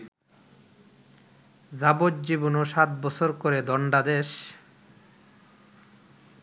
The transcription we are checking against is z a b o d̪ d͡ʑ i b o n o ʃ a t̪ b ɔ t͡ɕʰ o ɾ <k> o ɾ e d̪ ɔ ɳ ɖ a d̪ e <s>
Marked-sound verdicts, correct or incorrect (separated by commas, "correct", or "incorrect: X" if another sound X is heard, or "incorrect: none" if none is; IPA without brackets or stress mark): correct, incorrect: ʃ